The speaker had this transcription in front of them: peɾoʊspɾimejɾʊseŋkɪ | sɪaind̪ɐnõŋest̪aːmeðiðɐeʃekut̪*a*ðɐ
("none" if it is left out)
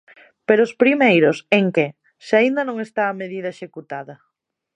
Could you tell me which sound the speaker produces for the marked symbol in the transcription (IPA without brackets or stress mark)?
a